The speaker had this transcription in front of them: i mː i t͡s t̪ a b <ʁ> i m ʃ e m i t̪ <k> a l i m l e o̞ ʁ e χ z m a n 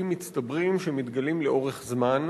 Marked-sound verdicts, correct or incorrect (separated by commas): correct, incorrect